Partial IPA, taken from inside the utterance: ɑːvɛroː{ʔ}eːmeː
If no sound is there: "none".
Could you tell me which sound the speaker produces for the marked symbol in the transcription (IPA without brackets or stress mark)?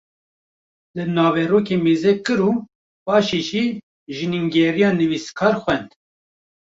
k